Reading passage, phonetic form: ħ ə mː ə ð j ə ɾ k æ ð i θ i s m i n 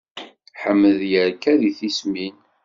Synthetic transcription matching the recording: ħ ə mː ə ð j ə ɾ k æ ð i θ i s m i n